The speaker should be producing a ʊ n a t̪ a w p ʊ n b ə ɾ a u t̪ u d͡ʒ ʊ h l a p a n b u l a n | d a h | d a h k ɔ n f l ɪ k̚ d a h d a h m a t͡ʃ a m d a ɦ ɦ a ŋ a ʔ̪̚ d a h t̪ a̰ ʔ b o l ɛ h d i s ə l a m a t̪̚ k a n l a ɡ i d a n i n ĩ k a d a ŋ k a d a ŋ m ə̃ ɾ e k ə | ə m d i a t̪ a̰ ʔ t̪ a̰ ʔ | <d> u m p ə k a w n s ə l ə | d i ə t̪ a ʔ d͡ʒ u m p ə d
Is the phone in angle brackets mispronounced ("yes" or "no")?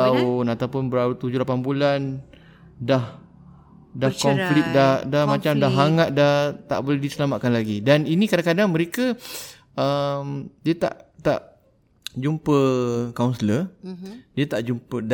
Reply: yes